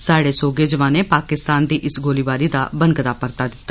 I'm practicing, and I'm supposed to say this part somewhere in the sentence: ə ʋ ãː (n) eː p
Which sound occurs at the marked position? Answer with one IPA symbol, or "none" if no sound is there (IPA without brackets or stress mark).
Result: n